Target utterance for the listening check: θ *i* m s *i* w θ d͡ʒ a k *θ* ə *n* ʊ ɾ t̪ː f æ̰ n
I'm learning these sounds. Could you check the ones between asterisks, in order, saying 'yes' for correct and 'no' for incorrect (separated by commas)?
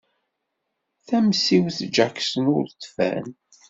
no, yes, no, yes